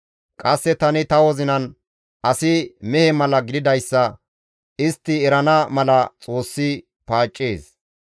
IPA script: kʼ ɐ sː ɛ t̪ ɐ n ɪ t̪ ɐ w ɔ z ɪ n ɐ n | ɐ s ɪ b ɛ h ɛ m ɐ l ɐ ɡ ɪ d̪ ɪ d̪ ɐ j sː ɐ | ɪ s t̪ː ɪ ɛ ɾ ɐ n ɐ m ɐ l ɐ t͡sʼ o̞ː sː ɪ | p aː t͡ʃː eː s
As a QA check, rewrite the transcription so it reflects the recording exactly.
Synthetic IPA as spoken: kʼ ɐ sː ɛ t̪ ɐ n ɪ t̪ ɐ w ɔ z ɪ n ɐ n | ɐ s ɪ m ɛ h ɛ m ɐ l ɐ ɡ ɪ d̪ ɪ d̪ ɐ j sː ɐ | ɪ s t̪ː ɪ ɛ ɾ ɐ n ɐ m ɐ l ɐ t͡sʼ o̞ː sː ɪ | p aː t͡ʃʼː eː s

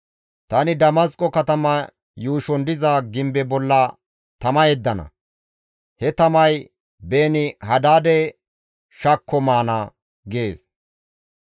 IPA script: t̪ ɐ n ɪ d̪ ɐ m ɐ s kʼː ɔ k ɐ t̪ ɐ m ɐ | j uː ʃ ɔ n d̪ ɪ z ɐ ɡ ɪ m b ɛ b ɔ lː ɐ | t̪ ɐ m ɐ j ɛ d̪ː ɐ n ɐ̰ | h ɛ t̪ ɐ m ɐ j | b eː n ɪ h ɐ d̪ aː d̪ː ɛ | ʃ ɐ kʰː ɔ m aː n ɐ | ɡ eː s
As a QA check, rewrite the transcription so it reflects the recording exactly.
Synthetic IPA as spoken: t̪ ɐ n ɪ d̪ ɐ m ɐ s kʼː ɔ k ɐ t̪ ɐ m ɐ | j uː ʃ ɔ n d̪ ɪ z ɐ ɡ ɪ m b ɛ b ɔ lː ɐ | t̪ ɐ m ɐ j ɛ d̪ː ɐ n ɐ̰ | h ɛ t̪ ɐ m ɐ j | b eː n ɪ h ɐ d̪ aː d̪ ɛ | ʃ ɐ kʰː ɔ m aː n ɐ | ɡ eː s

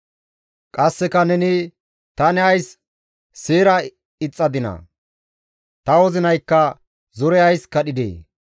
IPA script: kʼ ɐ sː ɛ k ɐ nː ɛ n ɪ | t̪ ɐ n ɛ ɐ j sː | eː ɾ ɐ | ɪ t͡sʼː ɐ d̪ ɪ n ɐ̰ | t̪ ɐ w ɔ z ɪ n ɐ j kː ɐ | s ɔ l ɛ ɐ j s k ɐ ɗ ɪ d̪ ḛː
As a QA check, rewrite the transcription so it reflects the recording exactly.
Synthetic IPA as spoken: kʼ ɐ sː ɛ k ɐ n ɛ n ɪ | t̪ ɐ n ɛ ɐ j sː | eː ɾ ɐ | ɪ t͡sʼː ɐ d̪ ɪ n ɐ̰ | t̪ ɐ w ɔ z ɪ n ɐ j kː ɐ | z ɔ ɾ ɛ ɐ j s k ɐ ɗ ɪ d̪ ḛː

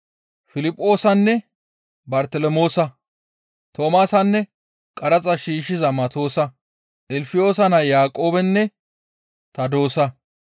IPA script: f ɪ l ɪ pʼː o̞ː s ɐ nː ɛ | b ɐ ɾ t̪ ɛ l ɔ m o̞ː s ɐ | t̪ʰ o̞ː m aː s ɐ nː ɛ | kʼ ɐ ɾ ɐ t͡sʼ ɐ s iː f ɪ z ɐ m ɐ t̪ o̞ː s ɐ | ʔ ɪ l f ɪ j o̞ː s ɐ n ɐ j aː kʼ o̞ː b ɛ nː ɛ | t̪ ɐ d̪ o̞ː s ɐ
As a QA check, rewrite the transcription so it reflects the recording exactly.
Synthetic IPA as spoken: f ɪ l ɪ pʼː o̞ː s ɐ nː ɛ | b ɐ ɾ t̪ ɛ l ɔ m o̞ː s ɐ | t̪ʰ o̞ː m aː s ɐ nː ɛ | kʼ ɐ ɾ ɐ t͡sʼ ɐ ʃ iː ʃ ɪ z ɐ m ɐ t̪ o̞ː s ɐ | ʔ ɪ l f ɪ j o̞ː s ɐ n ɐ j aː kʼ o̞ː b ɛ nː ɛ | t̪ ɐ d̪ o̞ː s ɐ

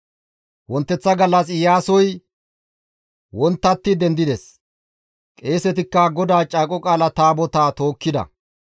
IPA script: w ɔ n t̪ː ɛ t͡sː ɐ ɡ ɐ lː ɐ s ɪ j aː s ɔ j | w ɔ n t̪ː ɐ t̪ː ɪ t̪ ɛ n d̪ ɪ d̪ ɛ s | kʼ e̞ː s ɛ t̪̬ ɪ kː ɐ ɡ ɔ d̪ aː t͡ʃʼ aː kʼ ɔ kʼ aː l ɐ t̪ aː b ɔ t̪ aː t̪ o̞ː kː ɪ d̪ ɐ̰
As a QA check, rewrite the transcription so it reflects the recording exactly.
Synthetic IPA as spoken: w ɔ n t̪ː ɛ t͡sː ɐ ɡ ɐ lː ɐ s ɪ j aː s ɔ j | w ɔ n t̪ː ɐ t̪ː ɪ d̪ ɛ n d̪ ɪ d̪ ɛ s | kʼ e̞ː s ɛ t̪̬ ɪ kː ɐ ɡ ɔ d̪ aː t͡ʃʼ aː kʼ ɔ kʼ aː l ɐ t̪ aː b ɔ t̪ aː t̪ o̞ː kː ɪ d̪ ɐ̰

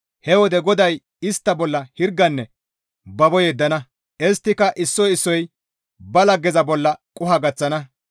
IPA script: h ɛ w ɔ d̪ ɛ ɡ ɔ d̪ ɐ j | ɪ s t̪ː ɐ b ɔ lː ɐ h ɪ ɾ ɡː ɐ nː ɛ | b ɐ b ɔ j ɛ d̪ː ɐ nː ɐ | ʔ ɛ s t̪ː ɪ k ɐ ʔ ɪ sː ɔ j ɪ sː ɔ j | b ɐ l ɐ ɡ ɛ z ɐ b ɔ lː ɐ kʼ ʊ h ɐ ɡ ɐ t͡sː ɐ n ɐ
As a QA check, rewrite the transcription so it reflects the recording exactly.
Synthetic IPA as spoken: h ɛ w ɔ d̪ ɛ ɡ ɔ d̪ ɐ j | ɪ s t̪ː ɐ b ɔ lː ɐ h ɪ ɾ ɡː ɐ nː ɛ | b ɐ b ɔ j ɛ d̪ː ɐ n ɐ | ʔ ɛ s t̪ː ɪ k ɐ ʔ ɪ sː ɔ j ɪ sː ɔ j | b ɐ l ɐ ɡ ɛ z ɐ b ɔ lː ɐ kʼ ʊ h ɐ ɡ ɐ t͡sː ɐ n ɐ

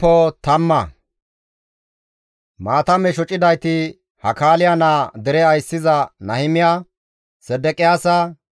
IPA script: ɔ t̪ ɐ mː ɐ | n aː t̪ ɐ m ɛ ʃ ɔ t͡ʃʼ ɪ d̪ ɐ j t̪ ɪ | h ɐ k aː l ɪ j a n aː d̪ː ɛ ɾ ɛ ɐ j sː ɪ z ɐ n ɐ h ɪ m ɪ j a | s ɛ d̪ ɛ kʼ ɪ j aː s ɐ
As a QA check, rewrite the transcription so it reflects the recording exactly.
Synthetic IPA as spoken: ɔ t̪ ɐ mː ɐ | m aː t̪ ɐ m ɛ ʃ ɔ t͡ʃʼ ɪ d̪ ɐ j t̪ ɪ | h ɐ k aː l ɪ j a n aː d̪ ɛ ɾ ɛ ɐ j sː ɪ z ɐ n ɐ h ɪ m ɪ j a | s ɛ d̪ ɛ kʼ ɪ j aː s ɐ

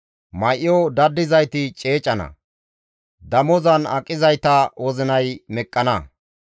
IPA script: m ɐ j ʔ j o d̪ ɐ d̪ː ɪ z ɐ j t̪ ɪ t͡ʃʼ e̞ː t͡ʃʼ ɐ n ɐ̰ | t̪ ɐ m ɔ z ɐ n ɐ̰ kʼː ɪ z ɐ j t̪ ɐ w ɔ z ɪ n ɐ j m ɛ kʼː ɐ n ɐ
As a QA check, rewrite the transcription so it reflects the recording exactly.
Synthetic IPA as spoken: m ɐ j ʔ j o d̪ ɐ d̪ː ɪ z ɐ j t̪ ɪ t͡ʃʼ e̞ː t͡ʃʼ ɐ n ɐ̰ | d̪ ɐ m ɔ z ɐ n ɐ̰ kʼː ɪ z ɐ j t̪ ɐ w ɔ z ɪ n ɐ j m ɛ kʼː ɐ n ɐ

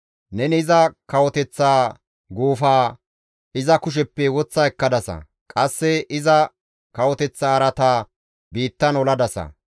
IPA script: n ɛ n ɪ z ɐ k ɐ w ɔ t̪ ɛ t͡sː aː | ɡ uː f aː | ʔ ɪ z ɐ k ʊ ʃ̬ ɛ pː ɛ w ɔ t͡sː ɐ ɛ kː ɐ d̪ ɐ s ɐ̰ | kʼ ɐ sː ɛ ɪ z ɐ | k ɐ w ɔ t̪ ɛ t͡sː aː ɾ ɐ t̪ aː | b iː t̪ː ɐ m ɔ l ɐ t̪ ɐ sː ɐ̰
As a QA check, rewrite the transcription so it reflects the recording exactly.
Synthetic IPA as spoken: n ɛ n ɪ z ɐ k ɐ w ɔ t̪ ɛ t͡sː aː | ɡ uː f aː | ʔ ɪ z ɐ k ʊ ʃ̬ ɛ pː ɛ w ɔ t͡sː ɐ ɛ kː ɐ d̪ ɐ s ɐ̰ | kʼ ɐ sː ɛ ɪ z ɐ | k ɐ w ɔ t̪ ɛ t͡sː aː ɾ ɐ t̪ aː | b iː t̪ː ɐ n ɔ l ɐ d̪ ɐ s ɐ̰

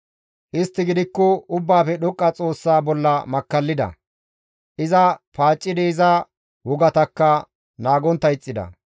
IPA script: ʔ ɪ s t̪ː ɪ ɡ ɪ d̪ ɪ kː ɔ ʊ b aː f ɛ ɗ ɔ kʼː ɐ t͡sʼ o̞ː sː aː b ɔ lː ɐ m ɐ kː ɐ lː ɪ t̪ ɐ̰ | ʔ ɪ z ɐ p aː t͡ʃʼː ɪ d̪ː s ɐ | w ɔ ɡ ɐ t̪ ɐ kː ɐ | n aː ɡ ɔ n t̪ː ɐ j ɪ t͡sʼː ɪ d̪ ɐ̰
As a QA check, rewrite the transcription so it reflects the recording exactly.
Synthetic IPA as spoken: ʔ ɪ s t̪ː ɪ ɡ ɪ d̪ ɪ kː ɔ ʊ bː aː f ɛ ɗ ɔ kʼː ɐ t͡sʼ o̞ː sː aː b ɔ lː ɐ m ɐ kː ɐ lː ɪ d̪ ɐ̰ | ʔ ɪ z ɐ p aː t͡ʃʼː ɪ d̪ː z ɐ | w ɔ ɡ ɐ t̪ ɐ kː ɐ | n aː ɡ ɔ n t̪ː ɐ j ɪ t͡sʼː ɪ d̪ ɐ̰

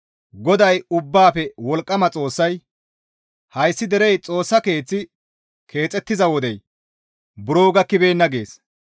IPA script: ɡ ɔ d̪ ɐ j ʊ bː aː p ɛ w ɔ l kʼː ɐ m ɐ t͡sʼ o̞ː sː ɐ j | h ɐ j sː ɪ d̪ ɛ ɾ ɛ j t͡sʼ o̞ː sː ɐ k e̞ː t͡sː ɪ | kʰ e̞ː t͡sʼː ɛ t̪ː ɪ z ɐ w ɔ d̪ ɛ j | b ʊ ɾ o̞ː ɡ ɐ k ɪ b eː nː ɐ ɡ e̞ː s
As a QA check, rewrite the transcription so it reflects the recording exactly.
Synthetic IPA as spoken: ɡ ɔ d̪ ɐ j ʊ bː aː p ɛ w ɔ l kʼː ɐ m ɐ t͡sʼ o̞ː sː ɐ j | h ɐ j sː ɪ d̪ ɛ ɾ ɛ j t͡sʼ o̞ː sː ɐ k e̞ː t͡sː ɪ | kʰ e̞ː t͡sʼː ɛ t̪ː ɪ z ɐ w ɔ d̪ ɛ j | b ʊ ɾ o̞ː ɡ ɐ k ɪ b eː nː ɐ ɡ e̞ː s

